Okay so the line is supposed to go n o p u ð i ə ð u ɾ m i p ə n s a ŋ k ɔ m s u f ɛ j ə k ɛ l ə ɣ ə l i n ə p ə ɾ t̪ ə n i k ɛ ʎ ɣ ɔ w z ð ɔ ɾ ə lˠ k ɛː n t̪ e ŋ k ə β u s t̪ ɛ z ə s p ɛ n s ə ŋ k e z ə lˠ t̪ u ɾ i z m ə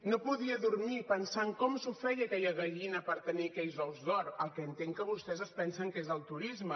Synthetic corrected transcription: n o p u ð i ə ð u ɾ m i p ə n s a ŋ k ɔ m s u f ɛ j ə k ɛ ʎ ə ɣ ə ʎ i n ə p ə ɾ t̪ ə n i k ɛ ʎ z ɔ w z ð ɔ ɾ ə lˠ k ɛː n t̪ e ŋ k ə β u s t̪ ɛ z ə s p ɛ n s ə ŋ k e z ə lˠ t̪ u ɾ i z m ə